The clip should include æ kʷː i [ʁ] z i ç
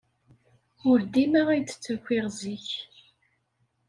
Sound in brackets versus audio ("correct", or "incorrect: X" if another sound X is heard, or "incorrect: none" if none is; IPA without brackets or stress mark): correct